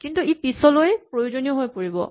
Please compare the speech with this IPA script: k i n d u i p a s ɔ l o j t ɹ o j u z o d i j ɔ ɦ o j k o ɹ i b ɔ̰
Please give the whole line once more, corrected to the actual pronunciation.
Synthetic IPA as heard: k i n t u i p i s ɔ l o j p ɹ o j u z o n i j ɔ ɦ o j p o ɹ i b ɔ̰

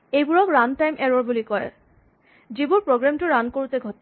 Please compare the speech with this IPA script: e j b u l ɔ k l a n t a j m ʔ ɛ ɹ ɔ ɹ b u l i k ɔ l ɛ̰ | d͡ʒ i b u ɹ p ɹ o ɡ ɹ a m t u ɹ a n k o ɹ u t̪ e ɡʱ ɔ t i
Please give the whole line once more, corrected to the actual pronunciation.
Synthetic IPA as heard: e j b u ɹ ɔ k ɹ a n t a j m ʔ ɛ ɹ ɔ ɹ b u l i k ɔ ɹ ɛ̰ | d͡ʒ i b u ɹ p ɹ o ɡ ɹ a m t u ɹ a n k o ɹ u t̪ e ɡʱ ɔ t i

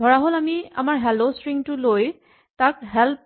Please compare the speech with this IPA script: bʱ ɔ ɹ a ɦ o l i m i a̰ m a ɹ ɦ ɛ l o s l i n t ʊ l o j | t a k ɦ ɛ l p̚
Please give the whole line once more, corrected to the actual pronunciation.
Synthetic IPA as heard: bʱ ɔ ɹ a ɦ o l a m i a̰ m a ɹ ɦ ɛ l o s ɹ i ŋ t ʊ l o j | t a k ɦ ɛ l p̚

